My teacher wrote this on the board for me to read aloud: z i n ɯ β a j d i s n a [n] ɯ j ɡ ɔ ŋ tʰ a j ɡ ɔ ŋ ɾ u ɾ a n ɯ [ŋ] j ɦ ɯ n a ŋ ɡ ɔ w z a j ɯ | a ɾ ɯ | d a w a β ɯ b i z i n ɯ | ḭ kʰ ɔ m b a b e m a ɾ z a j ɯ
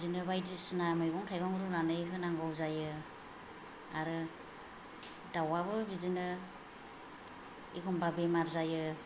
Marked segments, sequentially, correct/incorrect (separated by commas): incorrect, incorrect